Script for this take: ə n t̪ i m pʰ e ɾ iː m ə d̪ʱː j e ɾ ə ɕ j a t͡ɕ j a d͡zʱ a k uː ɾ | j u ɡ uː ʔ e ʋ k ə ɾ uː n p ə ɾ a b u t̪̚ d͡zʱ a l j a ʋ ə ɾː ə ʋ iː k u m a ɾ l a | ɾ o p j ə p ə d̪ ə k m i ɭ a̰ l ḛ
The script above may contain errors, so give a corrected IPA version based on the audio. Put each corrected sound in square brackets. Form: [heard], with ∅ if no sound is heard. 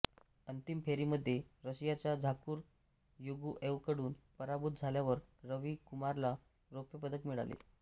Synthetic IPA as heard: ə n t̪ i m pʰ e ɾ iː m ə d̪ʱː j e ɾ ə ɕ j a t͡ɕ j a d͡zʱ a k uː ɾ | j u ɡ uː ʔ e ʋ k ə [ɽ] uː n p ə ɾ a b u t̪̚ d͡zʱ a l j a ʋ ə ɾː ə ʋ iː k u m a ɾ l a | ɾ o p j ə p ə d̪ ə k m i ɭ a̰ l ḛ